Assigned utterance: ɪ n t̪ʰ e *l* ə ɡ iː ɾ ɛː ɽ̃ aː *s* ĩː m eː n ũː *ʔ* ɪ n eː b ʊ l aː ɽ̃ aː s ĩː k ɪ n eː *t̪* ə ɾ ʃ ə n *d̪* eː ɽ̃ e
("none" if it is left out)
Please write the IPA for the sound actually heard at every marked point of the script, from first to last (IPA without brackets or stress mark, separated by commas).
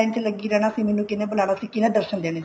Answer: l, s, k, d̪, d̪